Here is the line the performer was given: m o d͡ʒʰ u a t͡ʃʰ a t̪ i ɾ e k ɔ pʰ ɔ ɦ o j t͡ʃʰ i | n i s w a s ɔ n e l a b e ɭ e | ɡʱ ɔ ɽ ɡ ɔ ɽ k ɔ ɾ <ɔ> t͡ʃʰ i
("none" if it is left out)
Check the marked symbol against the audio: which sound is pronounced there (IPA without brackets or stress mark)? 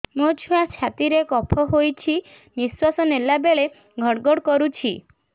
u